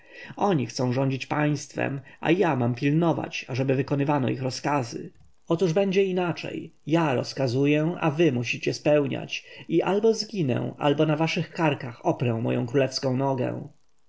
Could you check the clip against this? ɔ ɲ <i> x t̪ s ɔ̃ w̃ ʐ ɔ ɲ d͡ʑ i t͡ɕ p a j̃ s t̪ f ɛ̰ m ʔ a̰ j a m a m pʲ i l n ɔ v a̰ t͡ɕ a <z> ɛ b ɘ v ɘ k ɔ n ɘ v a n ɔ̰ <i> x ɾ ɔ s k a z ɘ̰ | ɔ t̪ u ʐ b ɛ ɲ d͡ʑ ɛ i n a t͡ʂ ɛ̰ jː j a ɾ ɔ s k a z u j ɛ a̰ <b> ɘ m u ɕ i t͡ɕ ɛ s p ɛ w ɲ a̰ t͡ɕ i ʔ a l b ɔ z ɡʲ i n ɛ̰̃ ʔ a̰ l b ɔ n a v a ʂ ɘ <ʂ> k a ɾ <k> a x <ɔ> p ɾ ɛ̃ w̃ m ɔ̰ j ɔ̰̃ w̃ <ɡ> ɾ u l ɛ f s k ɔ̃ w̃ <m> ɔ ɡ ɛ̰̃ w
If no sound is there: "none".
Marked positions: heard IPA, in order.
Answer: i, ʐ, i, v, x, k, ɔ, k, n

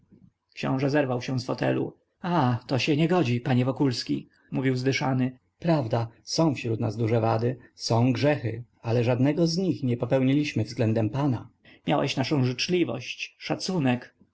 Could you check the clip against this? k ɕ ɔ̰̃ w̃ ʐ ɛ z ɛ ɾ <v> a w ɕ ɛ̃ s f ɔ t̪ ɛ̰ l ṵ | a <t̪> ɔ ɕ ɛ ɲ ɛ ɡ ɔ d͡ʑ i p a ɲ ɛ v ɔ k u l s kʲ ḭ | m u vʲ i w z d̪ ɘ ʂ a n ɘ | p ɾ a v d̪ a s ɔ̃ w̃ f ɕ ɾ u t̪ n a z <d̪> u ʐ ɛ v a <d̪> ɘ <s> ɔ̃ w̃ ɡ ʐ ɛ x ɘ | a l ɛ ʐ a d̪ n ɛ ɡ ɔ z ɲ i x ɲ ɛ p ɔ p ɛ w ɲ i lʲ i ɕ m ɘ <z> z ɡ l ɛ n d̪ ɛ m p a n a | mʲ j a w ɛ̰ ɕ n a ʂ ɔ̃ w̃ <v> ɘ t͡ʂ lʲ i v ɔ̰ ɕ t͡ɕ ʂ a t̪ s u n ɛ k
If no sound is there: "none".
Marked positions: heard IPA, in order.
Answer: v, t̪, d̪, d̪, s, v, ʐ

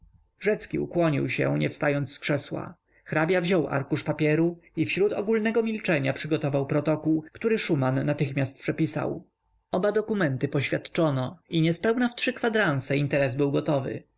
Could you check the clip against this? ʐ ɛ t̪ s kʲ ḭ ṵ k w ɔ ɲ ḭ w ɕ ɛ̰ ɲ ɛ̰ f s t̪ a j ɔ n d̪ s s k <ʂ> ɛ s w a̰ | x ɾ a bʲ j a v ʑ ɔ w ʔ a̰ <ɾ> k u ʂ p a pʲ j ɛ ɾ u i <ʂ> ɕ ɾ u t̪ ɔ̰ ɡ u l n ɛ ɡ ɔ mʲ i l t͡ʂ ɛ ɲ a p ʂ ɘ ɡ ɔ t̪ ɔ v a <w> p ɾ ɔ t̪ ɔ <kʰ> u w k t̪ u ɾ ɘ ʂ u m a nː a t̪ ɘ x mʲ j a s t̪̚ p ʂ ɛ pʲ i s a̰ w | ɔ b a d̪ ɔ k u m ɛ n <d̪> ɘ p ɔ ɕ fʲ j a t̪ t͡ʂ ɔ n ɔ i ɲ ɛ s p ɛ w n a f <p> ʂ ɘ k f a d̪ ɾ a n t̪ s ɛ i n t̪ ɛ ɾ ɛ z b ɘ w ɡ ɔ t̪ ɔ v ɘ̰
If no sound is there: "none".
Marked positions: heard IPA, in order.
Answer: ʂ, ɾ, f, w, k, t̪, t

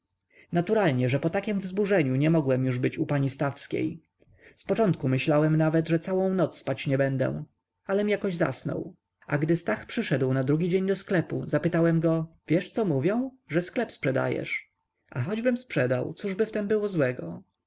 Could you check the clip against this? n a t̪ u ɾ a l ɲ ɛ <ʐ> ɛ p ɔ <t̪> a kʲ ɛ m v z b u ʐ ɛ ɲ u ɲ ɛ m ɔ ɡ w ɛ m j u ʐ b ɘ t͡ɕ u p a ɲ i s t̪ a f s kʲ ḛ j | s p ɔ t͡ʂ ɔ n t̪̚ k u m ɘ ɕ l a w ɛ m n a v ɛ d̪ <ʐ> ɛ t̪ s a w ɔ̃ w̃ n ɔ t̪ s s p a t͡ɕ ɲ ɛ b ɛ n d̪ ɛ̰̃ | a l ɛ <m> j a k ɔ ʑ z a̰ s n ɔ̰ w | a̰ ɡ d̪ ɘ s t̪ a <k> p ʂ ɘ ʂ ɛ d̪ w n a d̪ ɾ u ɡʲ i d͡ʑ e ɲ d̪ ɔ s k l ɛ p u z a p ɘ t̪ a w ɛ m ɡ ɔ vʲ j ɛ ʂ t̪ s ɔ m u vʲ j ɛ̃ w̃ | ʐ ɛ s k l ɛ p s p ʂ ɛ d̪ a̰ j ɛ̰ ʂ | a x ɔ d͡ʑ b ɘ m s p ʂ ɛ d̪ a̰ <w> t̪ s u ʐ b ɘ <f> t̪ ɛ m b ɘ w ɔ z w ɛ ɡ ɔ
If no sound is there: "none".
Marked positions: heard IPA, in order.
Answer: ʐ, t̪, ʐ, m, x, w, f

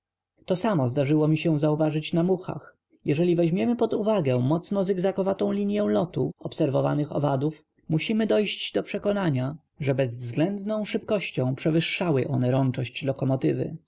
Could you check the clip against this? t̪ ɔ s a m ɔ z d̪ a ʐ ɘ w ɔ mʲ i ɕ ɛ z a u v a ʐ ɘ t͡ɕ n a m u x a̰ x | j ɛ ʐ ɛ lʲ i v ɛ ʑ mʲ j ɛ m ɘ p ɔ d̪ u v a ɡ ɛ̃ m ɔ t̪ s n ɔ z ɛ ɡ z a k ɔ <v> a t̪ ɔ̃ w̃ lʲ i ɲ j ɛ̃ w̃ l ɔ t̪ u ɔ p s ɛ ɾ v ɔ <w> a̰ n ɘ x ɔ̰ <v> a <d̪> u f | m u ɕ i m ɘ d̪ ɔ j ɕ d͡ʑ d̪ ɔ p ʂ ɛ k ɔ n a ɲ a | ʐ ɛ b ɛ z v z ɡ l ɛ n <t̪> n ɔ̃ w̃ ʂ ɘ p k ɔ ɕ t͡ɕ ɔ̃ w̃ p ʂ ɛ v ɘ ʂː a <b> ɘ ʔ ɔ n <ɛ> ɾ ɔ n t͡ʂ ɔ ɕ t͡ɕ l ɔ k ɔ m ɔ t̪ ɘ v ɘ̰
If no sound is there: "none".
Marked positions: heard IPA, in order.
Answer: v, v, v, d̪, d̪, w, ɛ

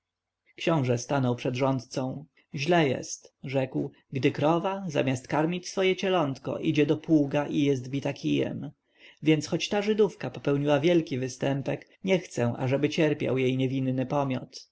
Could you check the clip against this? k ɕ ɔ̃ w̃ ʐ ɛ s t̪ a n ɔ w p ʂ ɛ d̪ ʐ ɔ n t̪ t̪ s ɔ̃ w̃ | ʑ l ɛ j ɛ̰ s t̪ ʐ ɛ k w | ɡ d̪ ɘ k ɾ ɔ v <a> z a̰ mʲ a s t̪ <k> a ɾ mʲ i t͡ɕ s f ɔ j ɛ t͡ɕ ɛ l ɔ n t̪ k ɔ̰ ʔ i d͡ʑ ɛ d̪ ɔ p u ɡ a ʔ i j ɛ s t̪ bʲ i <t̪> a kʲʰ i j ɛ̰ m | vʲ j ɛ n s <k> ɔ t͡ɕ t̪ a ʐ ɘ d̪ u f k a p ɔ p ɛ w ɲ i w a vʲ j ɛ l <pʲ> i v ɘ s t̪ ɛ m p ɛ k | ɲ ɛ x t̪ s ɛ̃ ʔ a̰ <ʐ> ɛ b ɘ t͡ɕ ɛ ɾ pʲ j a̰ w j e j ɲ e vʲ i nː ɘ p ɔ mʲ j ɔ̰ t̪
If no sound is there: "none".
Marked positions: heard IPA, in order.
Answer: a, k, t̪, x, kʲ, ʐ

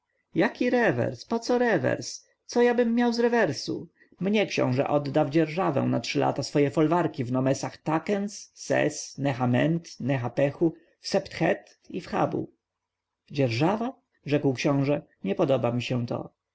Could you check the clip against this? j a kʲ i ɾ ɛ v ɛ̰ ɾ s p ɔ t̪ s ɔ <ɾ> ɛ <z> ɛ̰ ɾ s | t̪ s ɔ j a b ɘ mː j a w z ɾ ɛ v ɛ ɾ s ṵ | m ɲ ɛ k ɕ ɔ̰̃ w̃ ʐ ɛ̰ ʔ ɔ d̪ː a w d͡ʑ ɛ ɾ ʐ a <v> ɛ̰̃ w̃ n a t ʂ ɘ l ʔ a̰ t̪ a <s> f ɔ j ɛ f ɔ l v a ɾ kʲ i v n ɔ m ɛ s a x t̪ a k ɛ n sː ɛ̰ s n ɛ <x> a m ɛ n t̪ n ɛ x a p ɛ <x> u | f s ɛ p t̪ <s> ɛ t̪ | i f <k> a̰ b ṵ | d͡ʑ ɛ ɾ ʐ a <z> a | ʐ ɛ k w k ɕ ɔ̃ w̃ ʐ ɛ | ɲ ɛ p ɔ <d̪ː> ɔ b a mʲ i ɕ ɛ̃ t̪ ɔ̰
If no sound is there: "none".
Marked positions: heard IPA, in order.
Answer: ɾ, v, v, s, x, x, x, x, v, d̪

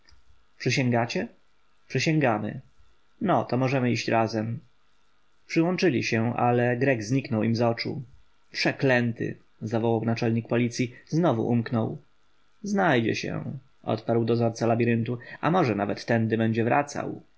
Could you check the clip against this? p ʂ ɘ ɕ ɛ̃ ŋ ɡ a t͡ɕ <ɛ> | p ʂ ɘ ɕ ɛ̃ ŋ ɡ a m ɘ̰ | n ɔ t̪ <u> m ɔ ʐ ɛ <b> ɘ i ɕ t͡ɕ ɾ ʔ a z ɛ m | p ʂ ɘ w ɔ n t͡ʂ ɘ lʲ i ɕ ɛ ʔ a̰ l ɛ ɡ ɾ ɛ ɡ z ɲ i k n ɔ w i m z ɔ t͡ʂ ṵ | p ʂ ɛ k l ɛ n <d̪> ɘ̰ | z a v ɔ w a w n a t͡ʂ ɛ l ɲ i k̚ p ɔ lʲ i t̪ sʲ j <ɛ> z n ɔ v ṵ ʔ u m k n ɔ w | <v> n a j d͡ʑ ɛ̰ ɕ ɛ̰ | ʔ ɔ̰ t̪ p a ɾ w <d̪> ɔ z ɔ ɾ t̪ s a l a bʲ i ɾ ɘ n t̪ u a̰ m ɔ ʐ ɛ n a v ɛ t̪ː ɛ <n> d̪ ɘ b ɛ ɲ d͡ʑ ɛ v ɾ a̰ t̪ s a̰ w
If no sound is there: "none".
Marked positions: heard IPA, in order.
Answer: ɛ, ɔ, m, t̪, i, z, d̪, n

